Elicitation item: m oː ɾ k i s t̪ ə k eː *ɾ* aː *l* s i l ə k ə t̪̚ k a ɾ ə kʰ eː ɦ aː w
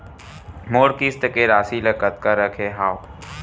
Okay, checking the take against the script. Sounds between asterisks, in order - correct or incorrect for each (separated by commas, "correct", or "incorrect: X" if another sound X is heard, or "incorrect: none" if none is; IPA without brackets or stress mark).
correct, incorrect: none